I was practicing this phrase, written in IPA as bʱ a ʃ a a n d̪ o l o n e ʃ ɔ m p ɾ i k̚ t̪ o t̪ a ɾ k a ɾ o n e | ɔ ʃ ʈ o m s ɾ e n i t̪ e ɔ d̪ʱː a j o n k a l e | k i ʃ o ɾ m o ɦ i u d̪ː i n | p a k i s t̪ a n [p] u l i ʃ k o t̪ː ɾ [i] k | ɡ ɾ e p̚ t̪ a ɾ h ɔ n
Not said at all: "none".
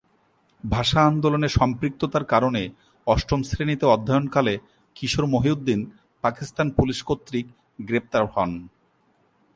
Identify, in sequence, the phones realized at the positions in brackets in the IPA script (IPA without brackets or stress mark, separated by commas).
p, i